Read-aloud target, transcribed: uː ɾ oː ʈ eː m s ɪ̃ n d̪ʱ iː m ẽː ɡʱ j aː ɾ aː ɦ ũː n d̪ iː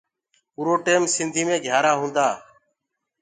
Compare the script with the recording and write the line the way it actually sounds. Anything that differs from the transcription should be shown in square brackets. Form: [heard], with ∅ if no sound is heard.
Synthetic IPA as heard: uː ɾ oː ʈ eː m s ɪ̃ n d̪ʱ iː m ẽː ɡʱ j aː ɾ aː ɦ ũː n d̪ [aː]

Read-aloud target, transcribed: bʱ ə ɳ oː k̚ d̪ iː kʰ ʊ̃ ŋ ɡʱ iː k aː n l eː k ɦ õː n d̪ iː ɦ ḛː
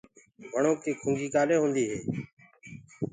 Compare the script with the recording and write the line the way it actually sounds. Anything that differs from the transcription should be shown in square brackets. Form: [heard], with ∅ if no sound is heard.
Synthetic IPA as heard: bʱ ə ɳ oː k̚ [t̪] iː kʰ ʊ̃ ŋ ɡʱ iː k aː [∅] l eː [∅] ɦ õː n d̪ iː ɦ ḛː

